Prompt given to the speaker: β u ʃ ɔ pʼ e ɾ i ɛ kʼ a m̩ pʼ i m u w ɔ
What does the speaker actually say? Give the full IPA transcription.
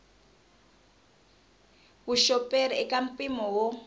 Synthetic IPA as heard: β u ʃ ɔ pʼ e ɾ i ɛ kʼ a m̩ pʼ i m ɔ w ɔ